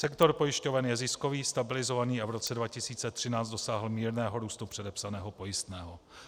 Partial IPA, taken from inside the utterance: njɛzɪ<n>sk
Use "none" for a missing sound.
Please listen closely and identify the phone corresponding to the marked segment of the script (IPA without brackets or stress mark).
none